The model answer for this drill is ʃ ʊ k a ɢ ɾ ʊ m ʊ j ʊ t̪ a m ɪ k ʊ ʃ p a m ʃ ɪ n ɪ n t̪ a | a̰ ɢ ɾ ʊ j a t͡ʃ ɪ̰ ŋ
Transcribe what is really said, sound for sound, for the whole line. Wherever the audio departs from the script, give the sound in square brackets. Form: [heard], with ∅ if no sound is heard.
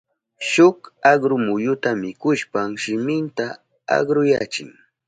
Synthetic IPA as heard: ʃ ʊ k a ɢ ɾ ʊ m ʊ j ʊ t̪ a m ɪ k ʊ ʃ p a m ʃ ɪ [m] ɪ n t̪ a | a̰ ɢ ɾ ʊ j a t͡ʃ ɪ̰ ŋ